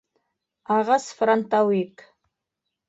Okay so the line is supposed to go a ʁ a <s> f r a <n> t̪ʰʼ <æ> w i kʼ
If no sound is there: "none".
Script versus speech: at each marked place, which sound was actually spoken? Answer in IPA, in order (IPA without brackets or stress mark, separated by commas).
s, n, a